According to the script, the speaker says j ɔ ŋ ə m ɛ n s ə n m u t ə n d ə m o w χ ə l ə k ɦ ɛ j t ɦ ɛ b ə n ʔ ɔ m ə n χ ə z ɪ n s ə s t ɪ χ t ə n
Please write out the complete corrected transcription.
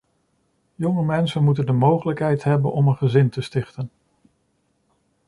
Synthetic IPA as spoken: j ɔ ŋ ə m ɛ n s ə n m u t ə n d ə m o w χ ə l ə k ɦ ɛ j t ɦ ɛ b ə n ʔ ɔ m ə n χ ə z ɪ n t ə s t ɪ χ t ə n